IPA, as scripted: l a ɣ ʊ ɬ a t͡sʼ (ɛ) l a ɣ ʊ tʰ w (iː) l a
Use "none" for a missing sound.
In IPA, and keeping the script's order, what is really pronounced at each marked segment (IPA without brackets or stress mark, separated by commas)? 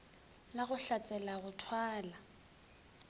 ɛ, aː